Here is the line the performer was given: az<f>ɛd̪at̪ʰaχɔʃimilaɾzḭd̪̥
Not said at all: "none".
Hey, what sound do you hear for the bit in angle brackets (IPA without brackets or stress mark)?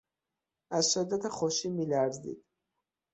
ʃ